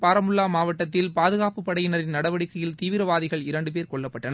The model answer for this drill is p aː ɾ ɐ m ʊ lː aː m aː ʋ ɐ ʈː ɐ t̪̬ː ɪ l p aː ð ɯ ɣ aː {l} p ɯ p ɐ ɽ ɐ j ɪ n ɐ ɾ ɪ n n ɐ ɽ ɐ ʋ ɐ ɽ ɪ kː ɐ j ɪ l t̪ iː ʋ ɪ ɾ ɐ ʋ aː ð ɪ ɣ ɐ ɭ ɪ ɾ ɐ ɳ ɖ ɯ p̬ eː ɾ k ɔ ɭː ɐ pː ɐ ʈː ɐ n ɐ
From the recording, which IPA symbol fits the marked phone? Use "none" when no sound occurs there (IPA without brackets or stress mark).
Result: none